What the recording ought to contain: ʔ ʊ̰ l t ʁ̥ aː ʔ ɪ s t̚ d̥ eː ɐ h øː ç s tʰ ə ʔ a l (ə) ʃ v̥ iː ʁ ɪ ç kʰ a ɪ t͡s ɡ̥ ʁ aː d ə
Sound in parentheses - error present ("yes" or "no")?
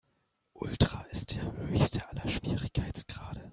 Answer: yes